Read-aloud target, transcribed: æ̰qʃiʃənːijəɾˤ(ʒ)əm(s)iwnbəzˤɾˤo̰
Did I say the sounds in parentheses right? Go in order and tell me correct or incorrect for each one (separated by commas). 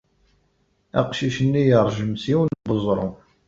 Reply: correct, correct